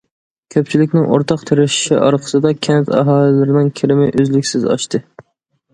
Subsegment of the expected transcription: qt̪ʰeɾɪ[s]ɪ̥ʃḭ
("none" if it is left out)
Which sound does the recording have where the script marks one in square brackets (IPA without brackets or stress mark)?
ʃ